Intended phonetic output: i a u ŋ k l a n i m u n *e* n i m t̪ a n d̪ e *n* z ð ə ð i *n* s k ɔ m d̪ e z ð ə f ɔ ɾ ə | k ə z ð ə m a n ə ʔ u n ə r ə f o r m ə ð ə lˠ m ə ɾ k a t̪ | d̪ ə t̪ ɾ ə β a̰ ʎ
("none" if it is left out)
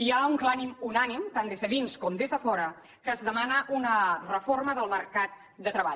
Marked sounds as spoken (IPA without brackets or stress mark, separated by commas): a, none, n